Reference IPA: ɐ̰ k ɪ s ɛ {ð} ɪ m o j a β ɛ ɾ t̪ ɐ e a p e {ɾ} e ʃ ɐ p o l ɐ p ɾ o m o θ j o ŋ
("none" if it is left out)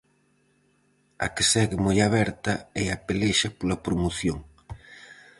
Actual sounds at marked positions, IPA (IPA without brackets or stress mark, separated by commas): ɣ, l